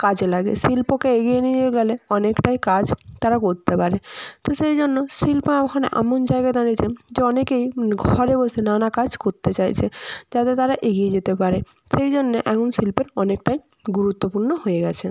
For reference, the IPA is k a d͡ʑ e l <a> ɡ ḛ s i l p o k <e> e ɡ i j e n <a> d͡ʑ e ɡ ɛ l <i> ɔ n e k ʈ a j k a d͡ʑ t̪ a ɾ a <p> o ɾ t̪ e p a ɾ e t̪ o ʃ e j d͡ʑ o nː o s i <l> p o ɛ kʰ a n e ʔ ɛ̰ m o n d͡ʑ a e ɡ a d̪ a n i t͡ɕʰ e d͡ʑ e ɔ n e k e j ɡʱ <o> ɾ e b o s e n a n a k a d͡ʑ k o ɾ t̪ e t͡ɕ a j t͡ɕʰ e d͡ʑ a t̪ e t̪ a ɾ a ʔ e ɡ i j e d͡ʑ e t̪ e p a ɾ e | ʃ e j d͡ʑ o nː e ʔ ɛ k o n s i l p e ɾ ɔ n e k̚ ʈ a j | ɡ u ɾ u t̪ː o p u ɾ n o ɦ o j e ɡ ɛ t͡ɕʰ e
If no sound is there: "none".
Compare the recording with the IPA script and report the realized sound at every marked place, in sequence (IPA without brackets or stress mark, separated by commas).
a, e, i, e, k, l, ɔ